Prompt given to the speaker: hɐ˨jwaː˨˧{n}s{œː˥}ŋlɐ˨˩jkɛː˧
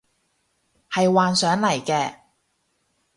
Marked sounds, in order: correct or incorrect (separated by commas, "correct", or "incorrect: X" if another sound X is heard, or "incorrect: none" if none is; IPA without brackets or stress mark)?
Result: correct, incorrect: œː˨˥